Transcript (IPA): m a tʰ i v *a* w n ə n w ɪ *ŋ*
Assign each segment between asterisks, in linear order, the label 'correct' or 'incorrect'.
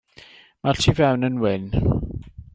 incorrect, incorrect

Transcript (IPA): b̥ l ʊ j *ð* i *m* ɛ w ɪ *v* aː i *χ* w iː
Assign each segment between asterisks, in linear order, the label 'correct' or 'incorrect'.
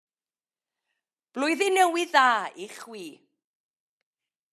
correct, incorrect, incorrect, correct

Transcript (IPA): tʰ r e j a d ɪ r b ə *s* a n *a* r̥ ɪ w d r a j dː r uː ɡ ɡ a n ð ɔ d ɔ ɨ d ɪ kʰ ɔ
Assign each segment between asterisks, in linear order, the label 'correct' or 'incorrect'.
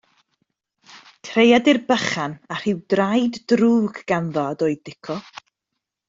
incorrect, correct

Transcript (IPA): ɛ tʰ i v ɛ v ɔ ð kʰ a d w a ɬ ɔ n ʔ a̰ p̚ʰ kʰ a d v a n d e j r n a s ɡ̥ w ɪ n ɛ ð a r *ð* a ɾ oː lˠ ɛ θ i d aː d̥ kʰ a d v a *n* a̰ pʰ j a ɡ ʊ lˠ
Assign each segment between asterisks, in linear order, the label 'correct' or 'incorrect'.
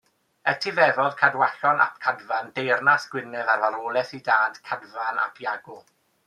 incorrect, correct

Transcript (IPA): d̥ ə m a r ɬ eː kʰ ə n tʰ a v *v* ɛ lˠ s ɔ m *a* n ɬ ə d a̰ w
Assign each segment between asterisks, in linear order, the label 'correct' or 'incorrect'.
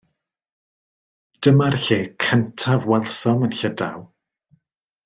incorrect, incorrect

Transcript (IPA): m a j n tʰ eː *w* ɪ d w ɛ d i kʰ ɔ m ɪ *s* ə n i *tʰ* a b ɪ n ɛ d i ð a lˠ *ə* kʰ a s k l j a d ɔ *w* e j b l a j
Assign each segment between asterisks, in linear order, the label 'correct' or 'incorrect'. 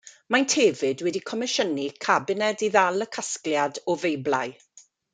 incorrect, incorrect, incorrect, correct, incorrect

